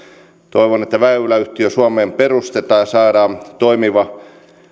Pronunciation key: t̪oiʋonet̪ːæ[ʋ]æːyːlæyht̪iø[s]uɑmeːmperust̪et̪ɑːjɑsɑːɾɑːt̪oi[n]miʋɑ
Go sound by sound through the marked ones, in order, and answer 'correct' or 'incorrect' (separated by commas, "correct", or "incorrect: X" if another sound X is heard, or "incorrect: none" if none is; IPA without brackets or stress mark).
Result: correct, correct, incorrect: none